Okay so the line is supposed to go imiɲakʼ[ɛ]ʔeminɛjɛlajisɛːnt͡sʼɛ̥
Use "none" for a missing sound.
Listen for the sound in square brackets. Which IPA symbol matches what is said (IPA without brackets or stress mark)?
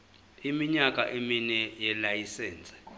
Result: a